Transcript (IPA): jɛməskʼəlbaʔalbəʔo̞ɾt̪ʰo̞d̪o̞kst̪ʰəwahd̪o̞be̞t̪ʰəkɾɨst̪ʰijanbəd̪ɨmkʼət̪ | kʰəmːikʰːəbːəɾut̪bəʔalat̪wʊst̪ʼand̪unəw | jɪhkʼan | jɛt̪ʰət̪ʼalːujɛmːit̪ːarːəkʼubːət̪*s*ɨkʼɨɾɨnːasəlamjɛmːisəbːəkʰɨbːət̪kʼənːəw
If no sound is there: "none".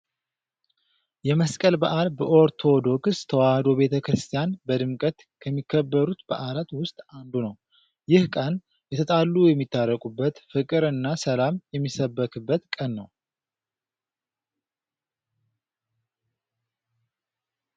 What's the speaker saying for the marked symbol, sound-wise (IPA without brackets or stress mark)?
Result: f